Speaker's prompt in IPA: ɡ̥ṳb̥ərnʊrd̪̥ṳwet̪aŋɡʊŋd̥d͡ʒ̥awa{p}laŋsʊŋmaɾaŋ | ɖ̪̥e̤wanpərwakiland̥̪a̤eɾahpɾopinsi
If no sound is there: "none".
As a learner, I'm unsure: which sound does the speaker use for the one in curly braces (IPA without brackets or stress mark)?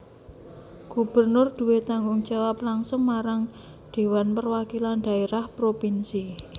p